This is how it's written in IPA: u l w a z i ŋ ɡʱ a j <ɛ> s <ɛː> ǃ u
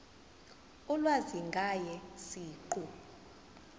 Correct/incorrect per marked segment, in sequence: correct, incorrect: iː

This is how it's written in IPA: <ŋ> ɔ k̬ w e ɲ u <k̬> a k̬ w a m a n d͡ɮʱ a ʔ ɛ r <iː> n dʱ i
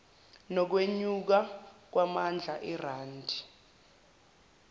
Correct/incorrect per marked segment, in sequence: incorrect: n, correct, incorrect: aː

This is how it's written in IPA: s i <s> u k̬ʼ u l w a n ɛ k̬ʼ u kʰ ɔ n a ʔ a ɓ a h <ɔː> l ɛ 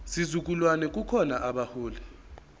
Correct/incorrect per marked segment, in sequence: incorrect: z, incorrect: uː

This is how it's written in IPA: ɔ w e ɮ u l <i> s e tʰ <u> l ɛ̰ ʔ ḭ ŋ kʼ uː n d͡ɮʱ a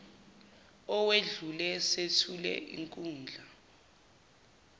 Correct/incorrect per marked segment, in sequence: incorrect: ɛ, correct

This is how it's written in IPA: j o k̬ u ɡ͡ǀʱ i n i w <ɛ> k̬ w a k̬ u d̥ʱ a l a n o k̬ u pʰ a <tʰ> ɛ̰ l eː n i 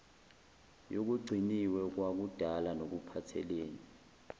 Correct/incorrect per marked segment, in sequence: correct, correct

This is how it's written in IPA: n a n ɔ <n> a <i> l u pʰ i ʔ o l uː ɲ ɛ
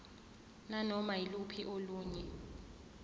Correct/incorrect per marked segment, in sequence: incorrect: m, correct

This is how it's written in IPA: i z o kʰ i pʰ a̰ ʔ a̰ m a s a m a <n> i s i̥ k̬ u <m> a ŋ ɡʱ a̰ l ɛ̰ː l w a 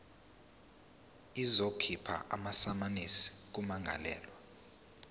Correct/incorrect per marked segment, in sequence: correct, correct

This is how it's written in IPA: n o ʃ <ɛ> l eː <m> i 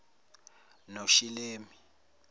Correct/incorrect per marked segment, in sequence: incorrect: i, correct

